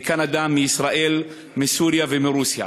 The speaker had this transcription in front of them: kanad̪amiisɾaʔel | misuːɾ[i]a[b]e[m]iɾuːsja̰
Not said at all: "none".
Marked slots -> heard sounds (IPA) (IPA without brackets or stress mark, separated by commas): j, v, m